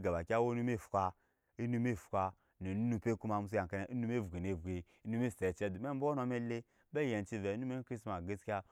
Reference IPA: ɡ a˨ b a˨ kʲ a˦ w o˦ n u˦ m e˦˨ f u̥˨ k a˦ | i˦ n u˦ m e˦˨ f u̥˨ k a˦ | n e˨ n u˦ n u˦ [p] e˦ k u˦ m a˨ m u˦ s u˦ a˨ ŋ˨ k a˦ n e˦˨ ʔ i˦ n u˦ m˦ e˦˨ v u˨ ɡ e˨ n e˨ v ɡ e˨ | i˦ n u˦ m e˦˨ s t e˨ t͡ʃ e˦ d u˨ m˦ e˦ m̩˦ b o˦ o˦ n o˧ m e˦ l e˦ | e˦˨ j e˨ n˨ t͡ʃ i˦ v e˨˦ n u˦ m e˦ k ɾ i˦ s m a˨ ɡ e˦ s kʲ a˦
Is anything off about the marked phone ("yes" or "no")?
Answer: no